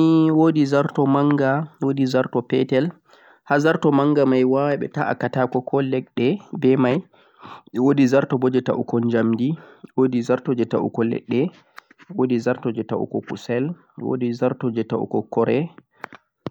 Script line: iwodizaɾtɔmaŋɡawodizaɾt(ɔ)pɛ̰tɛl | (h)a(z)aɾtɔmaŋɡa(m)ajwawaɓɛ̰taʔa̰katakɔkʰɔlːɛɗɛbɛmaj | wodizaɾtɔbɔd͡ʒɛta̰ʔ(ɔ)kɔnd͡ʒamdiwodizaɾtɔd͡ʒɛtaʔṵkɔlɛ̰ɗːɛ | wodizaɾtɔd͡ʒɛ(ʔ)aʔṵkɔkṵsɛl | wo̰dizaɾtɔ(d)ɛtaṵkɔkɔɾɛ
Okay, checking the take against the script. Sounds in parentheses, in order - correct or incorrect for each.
correct, correct, correct, correct, incorrect, incorrect, incorrect

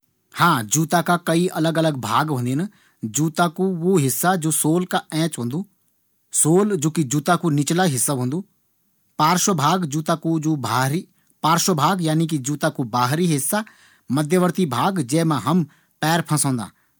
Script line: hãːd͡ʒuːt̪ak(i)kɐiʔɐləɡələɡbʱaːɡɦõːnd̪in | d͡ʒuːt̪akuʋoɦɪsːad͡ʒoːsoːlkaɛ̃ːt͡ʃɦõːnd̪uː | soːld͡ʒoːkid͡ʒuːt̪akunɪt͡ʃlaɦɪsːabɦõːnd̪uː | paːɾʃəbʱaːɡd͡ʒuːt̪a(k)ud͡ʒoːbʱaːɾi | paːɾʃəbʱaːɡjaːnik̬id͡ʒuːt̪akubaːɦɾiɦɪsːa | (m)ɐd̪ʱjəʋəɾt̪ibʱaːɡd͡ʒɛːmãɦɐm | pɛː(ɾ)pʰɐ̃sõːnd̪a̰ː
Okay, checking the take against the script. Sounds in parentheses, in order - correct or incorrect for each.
incorrect, correct, correct, correct

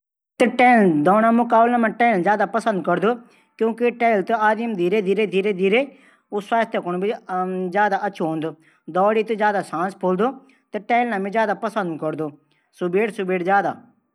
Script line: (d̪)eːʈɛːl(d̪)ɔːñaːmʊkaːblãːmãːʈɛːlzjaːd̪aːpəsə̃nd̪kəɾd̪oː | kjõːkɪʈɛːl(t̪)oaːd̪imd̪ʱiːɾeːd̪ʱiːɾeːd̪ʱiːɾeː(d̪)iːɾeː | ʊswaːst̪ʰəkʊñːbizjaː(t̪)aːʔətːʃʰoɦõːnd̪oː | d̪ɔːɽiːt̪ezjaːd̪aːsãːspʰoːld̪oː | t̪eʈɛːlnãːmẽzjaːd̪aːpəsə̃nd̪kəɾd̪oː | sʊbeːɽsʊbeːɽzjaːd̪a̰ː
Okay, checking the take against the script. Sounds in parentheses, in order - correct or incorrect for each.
incorrect, correct, correct, correct, incorrect

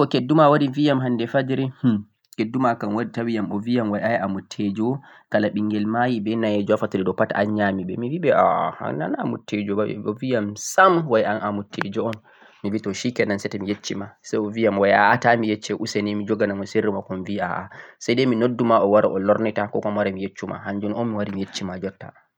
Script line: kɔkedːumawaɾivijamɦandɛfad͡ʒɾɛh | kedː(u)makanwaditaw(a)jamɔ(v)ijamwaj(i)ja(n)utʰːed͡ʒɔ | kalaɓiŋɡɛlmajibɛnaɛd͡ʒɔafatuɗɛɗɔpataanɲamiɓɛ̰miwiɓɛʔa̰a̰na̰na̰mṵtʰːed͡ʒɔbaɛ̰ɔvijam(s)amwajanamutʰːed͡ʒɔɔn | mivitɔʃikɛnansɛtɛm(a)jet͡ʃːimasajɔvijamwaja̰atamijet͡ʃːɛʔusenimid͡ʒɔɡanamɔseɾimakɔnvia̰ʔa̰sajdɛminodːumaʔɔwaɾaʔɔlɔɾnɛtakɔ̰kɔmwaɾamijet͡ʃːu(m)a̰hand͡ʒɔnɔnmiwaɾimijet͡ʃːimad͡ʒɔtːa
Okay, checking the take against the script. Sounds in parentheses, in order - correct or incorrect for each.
correct, incorrect, correct, incorrect, incorrect, correct, incorrect, correct

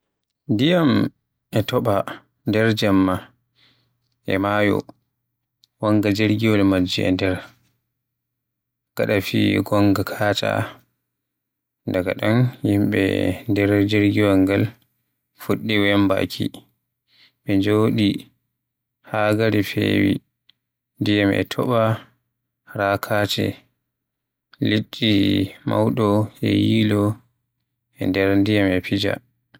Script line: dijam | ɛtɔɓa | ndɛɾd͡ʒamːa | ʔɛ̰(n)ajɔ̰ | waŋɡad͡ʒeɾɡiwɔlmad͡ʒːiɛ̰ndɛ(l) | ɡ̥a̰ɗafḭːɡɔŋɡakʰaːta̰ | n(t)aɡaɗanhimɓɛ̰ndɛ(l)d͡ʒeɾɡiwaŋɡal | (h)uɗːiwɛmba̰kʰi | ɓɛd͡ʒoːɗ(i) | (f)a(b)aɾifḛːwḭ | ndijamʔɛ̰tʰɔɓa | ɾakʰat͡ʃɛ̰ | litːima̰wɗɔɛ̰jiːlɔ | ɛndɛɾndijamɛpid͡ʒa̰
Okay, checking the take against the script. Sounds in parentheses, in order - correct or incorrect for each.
incorrect, incorrect, incorrect, incorrect, incorrect, correct, incorrect, incorrect

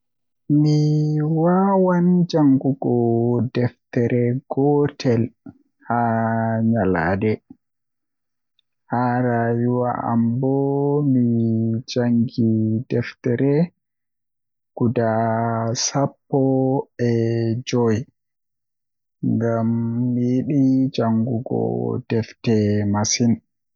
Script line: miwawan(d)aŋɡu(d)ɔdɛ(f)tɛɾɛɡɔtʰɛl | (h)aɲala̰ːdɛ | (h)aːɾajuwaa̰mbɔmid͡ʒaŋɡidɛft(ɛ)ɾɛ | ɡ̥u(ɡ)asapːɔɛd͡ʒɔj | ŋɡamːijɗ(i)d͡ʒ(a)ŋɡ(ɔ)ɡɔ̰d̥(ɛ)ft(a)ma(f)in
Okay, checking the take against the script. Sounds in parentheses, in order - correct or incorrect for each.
incorrect, incorrect, correct, correct, correct, correct, incorrect, correct, correct, incorrect, correct, incorrect, incorrect

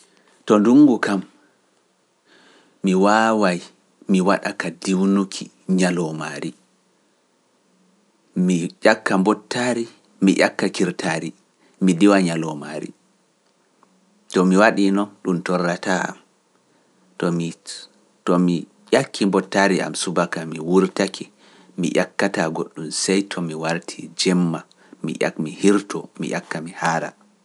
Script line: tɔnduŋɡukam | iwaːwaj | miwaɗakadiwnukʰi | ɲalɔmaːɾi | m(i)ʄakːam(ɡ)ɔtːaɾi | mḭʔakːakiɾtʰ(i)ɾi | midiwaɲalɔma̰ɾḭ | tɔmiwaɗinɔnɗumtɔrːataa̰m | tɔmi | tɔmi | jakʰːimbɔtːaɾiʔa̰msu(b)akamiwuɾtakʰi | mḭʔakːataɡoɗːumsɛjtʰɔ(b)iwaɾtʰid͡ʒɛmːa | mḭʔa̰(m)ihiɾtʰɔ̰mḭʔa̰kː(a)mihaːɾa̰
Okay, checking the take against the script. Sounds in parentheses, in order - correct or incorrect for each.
correct, incorrect, incorrect, correct, incorrect, correct, correct

